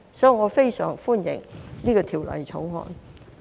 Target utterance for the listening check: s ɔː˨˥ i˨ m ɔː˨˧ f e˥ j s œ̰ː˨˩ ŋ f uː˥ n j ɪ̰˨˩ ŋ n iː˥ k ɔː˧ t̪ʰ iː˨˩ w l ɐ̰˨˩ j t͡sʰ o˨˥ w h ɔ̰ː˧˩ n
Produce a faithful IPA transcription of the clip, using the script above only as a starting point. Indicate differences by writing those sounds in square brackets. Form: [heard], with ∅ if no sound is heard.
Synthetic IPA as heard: s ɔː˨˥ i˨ [ŋ] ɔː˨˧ f e˥ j s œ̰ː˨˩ ŋ f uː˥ n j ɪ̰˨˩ ŋ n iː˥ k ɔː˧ t̪ʰ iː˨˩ w l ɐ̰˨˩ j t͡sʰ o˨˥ w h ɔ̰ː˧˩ n